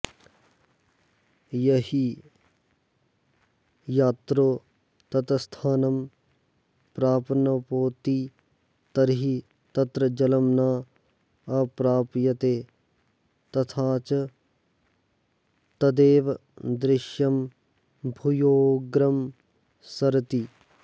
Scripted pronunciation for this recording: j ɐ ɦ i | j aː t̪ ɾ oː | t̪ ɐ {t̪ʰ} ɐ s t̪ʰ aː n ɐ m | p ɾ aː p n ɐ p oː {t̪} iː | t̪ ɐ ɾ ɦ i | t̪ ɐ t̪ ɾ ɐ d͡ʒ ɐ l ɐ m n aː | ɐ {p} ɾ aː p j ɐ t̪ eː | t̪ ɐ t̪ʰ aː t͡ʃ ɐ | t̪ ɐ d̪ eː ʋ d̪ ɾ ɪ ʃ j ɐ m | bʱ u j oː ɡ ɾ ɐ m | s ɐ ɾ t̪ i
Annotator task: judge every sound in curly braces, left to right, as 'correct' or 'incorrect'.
incorrect: t̪, correct, correct

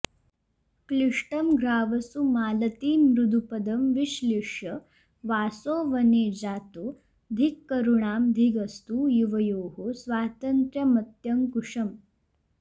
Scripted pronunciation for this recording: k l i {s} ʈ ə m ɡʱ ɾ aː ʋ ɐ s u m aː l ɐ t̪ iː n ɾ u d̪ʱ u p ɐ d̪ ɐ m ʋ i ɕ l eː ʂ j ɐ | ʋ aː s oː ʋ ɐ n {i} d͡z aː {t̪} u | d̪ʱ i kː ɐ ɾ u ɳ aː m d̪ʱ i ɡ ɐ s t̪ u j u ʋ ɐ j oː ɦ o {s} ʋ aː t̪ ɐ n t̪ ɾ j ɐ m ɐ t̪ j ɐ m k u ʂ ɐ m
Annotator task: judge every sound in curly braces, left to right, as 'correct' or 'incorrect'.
incorrect: ʂ, incorrect: e, correct, correct

